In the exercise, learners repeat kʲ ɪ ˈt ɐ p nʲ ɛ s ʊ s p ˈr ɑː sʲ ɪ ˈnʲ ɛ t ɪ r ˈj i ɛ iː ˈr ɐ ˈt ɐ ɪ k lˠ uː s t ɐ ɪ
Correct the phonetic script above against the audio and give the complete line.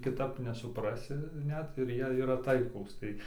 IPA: kʲ ɪ ˈt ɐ p nʲ ɛ s ʊ p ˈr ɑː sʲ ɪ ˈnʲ ɛ t ɪ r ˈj i ɛ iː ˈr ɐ ˈt ɐ ɪ k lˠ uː s t ɐ ɪ

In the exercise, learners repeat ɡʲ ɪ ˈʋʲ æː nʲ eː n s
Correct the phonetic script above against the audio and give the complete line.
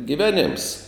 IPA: ɡʲ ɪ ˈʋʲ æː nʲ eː m s

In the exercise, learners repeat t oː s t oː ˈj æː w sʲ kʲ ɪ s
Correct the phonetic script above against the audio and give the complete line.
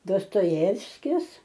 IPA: d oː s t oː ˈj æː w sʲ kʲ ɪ s

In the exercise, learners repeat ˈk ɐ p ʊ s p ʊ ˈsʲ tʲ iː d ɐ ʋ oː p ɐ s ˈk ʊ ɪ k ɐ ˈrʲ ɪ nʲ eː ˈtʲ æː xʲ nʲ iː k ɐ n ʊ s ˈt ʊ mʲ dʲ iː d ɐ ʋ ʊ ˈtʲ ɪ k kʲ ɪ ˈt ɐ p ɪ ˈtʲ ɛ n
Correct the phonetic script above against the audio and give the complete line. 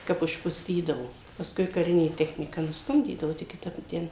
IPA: ˈk ɐ p ʊ ʃ p ʊ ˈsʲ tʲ iː d ɐ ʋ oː p ɐ s ˈk ʊ ɪ k ɐ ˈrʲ ɪ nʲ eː ˈtʲ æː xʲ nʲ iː k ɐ n ʊ s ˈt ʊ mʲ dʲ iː d ɐ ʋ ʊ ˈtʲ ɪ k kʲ ɪ ˈt ɐ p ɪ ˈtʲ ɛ n

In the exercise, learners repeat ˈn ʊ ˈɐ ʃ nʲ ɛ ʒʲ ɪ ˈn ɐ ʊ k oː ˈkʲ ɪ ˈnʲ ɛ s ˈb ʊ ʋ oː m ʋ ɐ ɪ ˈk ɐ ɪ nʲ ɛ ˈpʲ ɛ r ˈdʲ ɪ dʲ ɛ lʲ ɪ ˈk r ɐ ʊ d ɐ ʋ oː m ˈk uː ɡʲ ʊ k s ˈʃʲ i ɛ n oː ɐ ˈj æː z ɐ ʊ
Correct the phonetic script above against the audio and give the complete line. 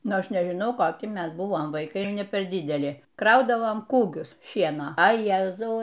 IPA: ˈn ʊ ˈɐ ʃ nʲ ɛ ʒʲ ɪ ˈn ɐ ʊ k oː ˈkʲ ɪ ˈmʲ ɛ s ˈb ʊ ʋ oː m ʋ ɐ ɪ ˈk ɐ ɪ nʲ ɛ ˈpʲ ɛ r ˈdʲ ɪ dʲ ɛ lʲ ɪ ˈk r ɐ ʊ d ɐ ʋ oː m ˈk uː ɡʲ ʊ s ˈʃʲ i ɛ n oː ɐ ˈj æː z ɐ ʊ

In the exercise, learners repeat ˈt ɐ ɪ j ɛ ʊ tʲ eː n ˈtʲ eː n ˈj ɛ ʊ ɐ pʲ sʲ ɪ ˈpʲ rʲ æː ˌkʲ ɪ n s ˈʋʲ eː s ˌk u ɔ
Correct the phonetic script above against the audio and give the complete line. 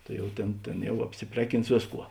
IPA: ˈt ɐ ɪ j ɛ ʊ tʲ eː n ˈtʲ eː n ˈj ɛ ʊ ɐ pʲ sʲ ɪ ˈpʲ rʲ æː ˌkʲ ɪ n s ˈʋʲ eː s ˌk u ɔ

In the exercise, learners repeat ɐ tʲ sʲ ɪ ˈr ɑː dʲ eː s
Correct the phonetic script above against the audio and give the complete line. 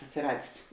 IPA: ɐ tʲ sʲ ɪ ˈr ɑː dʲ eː s

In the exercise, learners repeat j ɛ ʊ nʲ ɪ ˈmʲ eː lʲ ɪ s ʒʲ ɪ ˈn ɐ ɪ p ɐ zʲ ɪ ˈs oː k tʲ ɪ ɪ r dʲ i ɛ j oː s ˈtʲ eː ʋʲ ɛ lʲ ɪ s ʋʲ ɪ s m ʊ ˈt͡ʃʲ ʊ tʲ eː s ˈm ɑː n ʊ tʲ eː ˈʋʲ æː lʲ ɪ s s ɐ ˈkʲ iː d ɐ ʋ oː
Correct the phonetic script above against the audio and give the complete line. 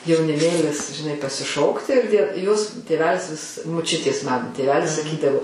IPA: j ɛ ʊ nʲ ɪ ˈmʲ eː lʲ ɪ s ʒʲ ɪ ˈn ɐ ɪ p ɐ sʲ ɪ ˈʃ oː k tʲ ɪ ɪ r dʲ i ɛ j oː s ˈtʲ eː ʋʲ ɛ lʲ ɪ s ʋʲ ɪ s m ʊ ˈt͡ʃʲ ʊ tʲ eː s ˈm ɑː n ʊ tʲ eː ˈʋʲ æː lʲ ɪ s s ɐ ˈkʲ iː d ɐ ʋ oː

